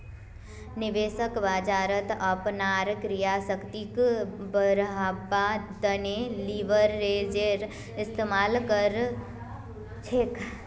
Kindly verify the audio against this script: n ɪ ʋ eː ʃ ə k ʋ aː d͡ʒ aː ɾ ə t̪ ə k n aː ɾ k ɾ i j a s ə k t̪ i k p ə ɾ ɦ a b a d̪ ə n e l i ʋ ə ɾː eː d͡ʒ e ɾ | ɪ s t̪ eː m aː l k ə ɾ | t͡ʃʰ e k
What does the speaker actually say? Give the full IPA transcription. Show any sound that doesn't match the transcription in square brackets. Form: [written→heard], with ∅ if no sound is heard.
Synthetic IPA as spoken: n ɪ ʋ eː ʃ ə k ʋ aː d͡ʒ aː ɾ ə t̪ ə [k→p] n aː ɾ k ɾ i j a s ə k t̪ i k [p→b] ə ɾ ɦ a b a d̪ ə n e l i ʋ ə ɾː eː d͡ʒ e ɾ | ɪ s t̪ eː m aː l k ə ɾ | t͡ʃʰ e k